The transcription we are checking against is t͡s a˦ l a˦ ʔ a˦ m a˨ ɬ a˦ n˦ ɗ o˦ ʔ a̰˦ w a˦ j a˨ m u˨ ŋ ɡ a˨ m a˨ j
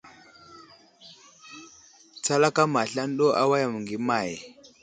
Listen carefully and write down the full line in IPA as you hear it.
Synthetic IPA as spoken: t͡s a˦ l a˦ k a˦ m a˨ ɬ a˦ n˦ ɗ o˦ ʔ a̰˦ w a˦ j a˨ m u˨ ŋ ɡ i˨ m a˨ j